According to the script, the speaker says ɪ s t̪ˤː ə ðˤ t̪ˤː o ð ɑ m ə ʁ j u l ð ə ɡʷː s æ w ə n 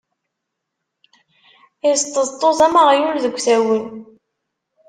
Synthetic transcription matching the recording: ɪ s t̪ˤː ə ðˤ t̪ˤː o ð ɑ m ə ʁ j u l ð ə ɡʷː θ æ w ə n